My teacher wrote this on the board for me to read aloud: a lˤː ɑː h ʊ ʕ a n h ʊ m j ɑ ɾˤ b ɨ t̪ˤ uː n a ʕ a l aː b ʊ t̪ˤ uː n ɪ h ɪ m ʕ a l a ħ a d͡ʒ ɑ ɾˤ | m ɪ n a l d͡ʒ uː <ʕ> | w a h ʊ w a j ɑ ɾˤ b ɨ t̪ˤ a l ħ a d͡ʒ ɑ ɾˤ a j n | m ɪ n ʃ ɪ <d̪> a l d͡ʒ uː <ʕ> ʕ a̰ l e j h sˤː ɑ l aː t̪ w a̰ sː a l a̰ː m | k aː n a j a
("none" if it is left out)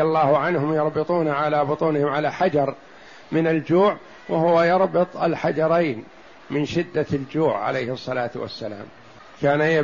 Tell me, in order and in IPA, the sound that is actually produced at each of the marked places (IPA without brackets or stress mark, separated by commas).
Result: ʕ, d̪ː, ʕ